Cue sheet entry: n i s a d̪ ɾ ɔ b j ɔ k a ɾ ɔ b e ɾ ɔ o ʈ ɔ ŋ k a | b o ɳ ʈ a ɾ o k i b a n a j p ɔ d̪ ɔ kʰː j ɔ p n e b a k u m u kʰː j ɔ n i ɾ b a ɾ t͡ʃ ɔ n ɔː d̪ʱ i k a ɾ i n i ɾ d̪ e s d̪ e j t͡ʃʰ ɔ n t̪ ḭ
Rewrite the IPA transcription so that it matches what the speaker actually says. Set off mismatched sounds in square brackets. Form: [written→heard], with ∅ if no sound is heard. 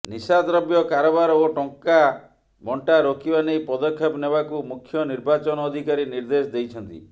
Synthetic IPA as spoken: n i s a d̪ ɾ ɔ b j ɔ k a ɾ ɔ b [e→a] ɾ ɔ o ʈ ɔ ŋ k a | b [o→ɔ] ɳ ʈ a ɾ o k i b a n [a→e] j p ɔ d̪ ɔ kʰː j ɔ p n e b a k u m u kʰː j ɔ n i ɾ b a [ɾ→∅] t͡ʃ ɔ n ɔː d̪ʱ i k a ɾ i n i ɾ d̪ e s d̪ e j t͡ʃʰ ɔ n t̪ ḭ